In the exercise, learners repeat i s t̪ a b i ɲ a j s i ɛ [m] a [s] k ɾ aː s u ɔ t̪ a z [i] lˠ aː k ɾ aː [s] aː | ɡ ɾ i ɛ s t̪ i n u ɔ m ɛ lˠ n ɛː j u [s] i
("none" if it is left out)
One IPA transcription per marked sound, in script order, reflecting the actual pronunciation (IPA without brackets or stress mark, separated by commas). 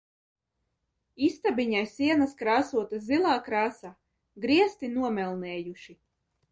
n, s, i, s, ʃ